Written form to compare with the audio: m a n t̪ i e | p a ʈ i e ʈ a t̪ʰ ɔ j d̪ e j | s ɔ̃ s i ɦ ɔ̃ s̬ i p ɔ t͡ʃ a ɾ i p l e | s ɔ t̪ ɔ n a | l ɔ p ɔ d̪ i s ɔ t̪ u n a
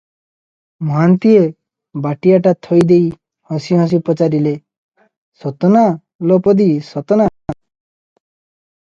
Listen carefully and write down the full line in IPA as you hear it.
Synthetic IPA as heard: m a n t̪ i e | b a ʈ i a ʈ a t̪ʰ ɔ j d̪ e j | h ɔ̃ s i ɦ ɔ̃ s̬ i p ɔ t͡ʃ a ɾ i l e | s ɔ t̪ ɔ n a | l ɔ p ɔ d̪ i s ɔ t̪ ɔ n a

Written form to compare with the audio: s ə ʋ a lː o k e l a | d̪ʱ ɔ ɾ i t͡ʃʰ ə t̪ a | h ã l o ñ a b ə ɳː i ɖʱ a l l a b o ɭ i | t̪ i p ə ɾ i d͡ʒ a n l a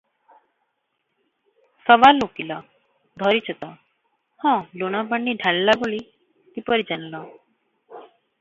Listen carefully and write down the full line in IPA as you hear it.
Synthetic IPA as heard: s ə ʋ a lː o k i l a | d̪ʱ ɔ ɾ i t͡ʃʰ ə t̪ a | h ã l o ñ a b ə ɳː i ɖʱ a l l a b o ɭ i | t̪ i p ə ɾ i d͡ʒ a n l a

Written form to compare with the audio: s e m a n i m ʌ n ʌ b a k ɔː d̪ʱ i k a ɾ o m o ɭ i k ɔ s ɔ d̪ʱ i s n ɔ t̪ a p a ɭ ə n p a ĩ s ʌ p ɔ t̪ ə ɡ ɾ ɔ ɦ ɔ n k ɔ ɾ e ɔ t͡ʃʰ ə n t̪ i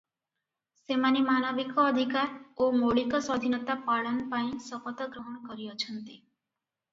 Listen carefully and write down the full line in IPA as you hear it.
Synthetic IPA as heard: s e m a n i m a n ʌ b i k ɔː d̪ʱ i k a ɾ o m o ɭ i k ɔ s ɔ d̪ʱ i n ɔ t̪ a p a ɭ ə n p a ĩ s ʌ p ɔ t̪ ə ɡ ɾ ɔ ɦ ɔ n k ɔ ɾ i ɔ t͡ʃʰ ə n t̪ i

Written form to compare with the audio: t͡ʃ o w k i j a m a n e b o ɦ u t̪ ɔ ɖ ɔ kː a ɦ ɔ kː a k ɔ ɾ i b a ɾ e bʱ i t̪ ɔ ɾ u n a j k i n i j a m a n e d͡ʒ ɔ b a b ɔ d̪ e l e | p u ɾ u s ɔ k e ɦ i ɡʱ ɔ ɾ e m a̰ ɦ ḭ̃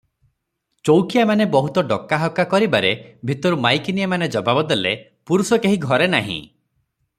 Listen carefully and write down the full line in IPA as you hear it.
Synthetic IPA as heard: t͡ʃ o w k i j a m a n e b ɔ ɦ u t̪ ɔ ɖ ɔ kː a ɦ ɔ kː a k ɔ ɾ i b a ɾ e bʱ i t̪ ɔ ɾ u m a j k i n i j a m a n e d͡ʒ ɔ b a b ɔ d̪ e l e | p u ɾ u s ɔ k e ɦ i ɡʱ ɔ ɾ e n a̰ ɦ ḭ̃

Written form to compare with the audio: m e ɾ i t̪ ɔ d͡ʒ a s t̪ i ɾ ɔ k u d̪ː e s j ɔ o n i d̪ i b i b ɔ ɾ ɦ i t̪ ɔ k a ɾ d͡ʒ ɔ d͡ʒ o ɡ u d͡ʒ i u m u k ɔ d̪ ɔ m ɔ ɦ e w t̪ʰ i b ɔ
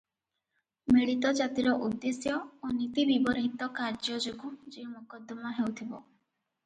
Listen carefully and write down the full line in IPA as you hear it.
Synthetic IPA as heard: m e ɭ i t̪ ɔ d͡ʒ a t̪ i ɾ ɔ ʔ u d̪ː e s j ɔ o n i t̪ i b i b ɔ ɾ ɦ i t̪ ɔ k a ɾ d͡ʒ ɔ d͡ʒ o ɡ u d͡ʒ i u m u k ɔ d̪ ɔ m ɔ ɦ e w t̪ʰ i b ɔ

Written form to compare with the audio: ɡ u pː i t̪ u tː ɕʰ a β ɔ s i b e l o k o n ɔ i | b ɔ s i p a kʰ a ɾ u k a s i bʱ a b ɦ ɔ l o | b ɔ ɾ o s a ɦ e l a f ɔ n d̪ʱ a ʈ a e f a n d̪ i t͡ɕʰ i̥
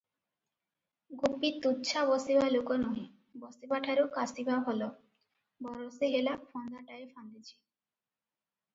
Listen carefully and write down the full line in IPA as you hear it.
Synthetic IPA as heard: ɡ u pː i t̪ u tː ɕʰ a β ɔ s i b a l o k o n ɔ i | b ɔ s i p a ʈʰ a ɾ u k a s i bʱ a b ɦ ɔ l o | b ɔ ɾ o s e ɦ e l a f ɔ n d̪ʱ a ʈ a e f a n d̪ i t͡ɕʰ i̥

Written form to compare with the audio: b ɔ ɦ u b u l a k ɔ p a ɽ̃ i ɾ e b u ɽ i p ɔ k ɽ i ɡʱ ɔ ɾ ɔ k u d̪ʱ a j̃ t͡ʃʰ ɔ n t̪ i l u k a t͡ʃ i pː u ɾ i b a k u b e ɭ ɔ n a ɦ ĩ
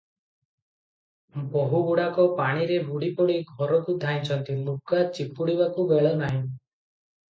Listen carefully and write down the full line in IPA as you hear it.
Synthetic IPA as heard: b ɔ ɦ u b u ɽ a k ɔ p a ɽ̃ i ɾ e b u ɽ i p ɔ ɽ i ɡʱ ɔ ɾ ɔ k u d̪ʱ a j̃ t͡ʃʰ ɔ n t̪ i l u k a t͡ʃ i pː u ɽ i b a k u b e ɭ ɔ n a ɦ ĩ

